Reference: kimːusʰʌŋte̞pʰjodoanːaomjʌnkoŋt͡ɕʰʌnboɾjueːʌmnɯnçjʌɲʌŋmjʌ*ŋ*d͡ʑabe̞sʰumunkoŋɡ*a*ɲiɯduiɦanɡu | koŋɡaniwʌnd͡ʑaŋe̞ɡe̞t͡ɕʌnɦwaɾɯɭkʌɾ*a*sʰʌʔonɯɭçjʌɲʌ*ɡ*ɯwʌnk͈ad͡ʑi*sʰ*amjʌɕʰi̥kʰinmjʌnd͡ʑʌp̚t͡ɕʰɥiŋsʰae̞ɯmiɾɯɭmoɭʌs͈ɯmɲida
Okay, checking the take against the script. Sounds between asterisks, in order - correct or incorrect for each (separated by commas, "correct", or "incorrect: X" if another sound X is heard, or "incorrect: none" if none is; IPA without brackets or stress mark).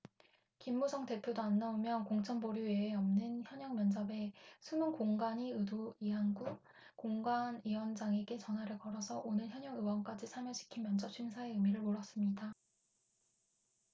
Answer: incorrect: n, correct, incorrect: ʌ, incorrect: ŋ, correct